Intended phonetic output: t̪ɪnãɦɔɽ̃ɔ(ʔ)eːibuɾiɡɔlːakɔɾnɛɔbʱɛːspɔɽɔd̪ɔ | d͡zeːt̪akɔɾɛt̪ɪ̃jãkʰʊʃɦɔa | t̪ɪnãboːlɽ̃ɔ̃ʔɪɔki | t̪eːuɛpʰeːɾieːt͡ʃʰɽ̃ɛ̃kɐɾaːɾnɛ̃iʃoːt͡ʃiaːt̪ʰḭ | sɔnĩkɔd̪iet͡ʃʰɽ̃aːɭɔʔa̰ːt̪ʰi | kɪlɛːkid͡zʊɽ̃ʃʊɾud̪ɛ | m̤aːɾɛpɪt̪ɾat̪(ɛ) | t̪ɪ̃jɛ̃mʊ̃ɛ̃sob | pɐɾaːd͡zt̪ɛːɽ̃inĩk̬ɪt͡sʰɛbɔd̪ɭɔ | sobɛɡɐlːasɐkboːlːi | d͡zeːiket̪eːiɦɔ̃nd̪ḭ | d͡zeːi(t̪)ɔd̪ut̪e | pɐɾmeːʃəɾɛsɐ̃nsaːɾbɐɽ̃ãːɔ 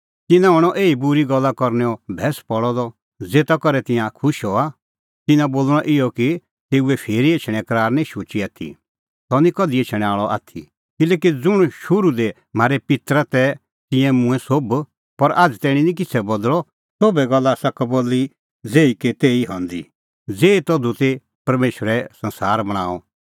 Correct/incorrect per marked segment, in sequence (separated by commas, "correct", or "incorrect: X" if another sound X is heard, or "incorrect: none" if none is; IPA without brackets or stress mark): correct, correct, correct